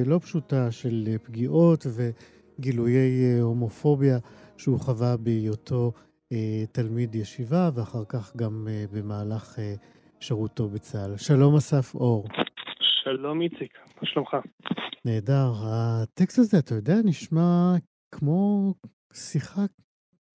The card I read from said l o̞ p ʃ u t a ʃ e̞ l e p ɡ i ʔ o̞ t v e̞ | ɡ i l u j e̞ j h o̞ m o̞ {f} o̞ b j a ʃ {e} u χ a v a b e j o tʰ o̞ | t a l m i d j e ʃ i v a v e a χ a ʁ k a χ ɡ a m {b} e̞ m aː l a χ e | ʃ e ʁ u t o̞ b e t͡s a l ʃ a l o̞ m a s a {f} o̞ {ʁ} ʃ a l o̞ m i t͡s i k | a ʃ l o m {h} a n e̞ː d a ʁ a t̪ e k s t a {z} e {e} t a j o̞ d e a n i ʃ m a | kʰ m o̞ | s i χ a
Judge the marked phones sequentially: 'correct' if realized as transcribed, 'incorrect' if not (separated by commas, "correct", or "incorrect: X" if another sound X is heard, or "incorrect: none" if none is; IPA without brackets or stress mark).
correct, correct, correct, correct, correct, incorrect: χ, correct, incorrect: a